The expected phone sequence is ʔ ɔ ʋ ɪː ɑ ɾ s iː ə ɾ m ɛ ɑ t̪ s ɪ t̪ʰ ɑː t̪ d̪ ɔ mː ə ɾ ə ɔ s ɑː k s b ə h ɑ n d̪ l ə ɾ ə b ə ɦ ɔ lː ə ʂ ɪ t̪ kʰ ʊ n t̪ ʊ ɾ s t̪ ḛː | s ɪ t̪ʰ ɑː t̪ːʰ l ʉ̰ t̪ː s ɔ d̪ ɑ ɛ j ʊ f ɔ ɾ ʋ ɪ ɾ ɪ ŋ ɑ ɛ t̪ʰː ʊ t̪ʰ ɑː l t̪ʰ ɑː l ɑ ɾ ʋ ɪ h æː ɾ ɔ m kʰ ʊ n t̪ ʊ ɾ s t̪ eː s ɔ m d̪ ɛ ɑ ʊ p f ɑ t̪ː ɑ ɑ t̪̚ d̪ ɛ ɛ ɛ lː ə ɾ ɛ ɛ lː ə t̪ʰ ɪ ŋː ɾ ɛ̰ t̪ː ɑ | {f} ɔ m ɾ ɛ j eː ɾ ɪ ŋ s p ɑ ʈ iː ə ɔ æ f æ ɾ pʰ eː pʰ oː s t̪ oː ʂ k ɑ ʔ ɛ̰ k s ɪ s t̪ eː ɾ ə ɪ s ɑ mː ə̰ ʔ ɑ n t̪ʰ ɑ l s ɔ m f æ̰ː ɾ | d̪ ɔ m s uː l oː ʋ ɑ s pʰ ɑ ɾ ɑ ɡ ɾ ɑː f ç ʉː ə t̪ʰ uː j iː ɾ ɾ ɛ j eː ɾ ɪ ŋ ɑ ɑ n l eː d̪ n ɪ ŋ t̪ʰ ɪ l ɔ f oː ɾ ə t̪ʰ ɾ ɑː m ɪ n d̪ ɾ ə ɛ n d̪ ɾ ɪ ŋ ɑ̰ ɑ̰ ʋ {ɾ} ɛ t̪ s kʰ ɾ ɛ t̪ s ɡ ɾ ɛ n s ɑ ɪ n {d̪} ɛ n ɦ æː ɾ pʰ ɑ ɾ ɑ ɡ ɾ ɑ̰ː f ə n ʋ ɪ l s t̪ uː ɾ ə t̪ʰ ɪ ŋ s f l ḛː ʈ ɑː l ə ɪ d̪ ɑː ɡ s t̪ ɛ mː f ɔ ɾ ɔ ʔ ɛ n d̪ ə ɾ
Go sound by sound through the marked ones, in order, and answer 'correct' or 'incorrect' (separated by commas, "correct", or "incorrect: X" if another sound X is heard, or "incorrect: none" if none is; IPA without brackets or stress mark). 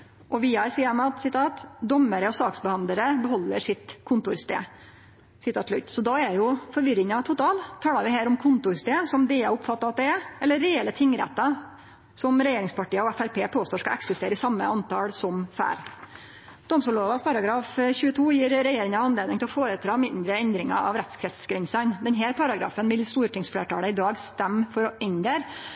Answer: incorrect: s, correct, correct